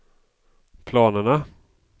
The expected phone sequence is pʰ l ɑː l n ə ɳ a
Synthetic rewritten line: pʰ l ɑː n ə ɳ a

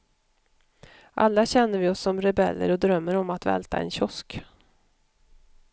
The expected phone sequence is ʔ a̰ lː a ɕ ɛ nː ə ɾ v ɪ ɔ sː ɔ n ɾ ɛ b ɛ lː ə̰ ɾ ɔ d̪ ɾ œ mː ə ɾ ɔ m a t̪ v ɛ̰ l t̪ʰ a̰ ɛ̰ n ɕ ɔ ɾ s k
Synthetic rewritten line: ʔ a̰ lː a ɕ ɛ nː ə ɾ v ɪ ɔ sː ɔ m ɾ ɛ b ɛ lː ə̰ ɾ ɔ d̪ ɾ œ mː ə ɾ ɔ m a t̪ v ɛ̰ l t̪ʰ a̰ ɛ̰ n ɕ ɔ s k

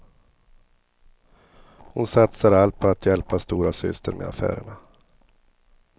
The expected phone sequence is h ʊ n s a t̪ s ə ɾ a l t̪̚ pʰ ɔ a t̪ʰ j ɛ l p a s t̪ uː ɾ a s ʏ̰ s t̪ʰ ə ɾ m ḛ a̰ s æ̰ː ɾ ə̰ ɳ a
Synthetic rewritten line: h ʊ n s a t̪ s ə ɾ a l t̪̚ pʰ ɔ a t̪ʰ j ɛ l p a s t̪ uː ɾ a s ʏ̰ s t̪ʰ ə ɾ m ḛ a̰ f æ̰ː ɾ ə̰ ɳ a

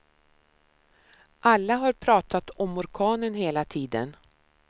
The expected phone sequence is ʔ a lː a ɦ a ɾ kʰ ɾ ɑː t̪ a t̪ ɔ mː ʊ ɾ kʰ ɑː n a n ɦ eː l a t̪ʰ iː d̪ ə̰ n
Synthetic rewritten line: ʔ a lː a ɦ a ɾ pʰ ɾ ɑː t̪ a t̪ ɔ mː ʊ ɾ kʰ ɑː n ə n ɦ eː l a t̪ʰ iː d̪ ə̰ n

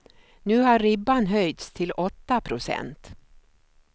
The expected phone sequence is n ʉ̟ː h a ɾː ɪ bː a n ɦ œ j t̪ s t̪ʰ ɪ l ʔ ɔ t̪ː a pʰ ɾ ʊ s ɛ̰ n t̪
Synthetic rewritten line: n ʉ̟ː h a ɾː ɪ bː a n ɦ œ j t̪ s t̪ʰ ɪ l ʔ ɔ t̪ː a pʰ ɾ ʊ s ɛ̰ n t̪

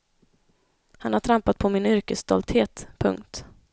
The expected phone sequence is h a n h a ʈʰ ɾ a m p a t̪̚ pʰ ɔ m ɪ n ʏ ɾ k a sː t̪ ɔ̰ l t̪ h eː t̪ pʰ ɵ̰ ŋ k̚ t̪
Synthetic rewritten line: h a n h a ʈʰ ɾ a m p a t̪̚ pʰ ɔ m ɪ n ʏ ɾ k ə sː t̪ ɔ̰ l t̪ h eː t̪ pʰ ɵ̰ ŋ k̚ t̪

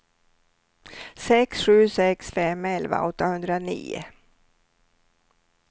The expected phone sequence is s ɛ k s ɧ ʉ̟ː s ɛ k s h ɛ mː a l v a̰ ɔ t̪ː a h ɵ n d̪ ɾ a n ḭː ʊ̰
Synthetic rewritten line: s ɛ k s ɧ ʉ̟ː s ɛ k s f ɛ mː ɛ l v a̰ ɔ t̪ː a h ɵ n d̪ ɾ a n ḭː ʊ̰

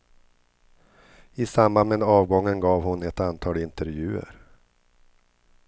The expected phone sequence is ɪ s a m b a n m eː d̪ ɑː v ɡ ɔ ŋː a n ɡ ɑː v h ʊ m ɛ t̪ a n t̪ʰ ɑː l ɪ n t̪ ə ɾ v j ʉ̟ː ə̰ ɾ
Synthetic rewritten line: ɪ s a m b a n m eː d̪ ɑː v ɡ ɔ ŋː ə n ɡ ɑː v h ʊ n ɛ t̪ a n t̪ʰ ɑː l ɪ n t̪ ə ɾ v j ʉ̟ː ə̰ ɾ

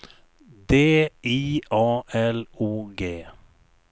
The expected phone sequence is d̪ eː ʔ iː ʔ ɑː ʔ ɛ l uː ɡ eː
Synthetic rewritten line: d̪ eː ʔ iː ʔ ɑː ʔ ɛ l uː ɡ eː

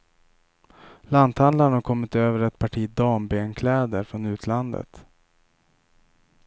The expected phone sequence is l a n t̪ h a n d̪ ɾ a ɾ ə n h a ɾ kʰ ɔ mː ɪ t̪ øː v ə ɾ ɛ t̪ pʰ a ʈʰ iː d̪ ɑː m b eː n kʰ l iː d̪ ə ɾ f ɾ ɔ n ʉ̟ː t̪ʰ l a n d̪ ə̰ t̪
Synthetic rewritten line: l a n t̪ h a n d̪ l a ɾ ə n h a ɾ kʰ ɔ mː ɪ t̪ øː v ə ɾ ɛ t̪ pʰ a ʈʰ iː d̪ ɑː m b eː n kʰ l ɛː d̪ ə ɾ f ɾ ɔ n ʉ̟ː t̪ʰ l a n d̪ ə̰ t̪

